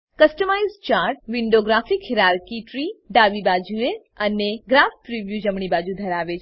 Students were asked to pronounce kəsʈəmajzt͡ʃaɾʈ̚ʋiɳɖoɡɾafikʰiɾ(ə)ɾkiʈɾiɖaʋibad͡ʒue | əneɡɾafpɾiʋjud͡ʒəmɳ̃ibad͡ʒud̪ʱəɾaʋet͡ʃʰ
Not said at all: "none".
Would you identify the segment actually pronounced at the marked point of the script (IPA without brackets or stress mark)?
a